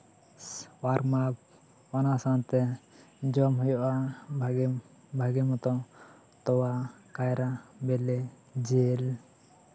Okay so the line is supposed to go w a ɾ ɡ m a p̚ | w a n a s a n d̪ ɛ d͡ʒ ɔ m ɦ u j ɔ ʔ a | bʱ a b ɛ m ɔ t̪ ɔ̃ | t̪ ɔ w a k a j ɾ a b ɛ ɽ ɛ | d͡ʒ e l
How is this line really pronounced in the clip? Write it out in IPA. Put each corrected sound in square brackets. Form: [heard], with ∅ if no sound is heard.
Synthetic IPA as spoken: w a ɾ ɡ m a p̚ | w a n a s a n [t̪] ɛ d͡ʒ ɔ m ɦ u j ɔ ʔ a | bʱ a [ɡ] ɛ m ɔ t̪ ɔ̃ | t̪ ɔ w a k a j ɾ a b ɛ [l] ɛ | d͡ʒ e l